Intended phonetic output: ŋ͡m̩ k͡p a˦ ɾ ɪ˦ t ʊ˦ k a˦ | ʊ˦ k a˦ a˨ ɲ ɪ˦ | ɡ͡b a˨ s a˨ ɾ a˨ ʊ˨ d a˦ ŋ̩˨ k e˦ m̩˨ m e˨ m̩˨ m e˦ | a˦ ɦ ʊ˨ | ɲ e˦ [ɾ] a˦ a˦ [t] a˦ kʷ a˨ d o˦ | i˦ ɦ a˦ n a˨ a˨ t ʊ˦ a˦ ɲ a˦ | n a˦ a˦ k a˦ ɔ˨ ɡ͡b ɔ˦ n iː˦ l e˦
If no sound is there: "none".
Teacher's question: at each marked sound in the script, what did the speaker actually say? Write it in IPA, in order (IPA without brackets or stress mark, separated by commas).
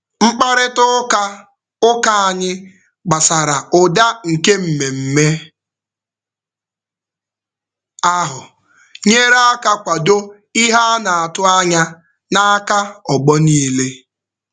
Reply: ɾ, k